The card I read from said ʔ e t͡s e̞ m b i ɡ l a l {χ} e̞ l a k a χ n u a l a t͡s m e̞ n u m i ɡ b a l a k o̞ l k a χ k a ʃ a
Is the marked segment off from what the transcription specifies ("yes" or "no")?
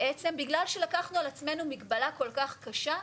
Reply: yes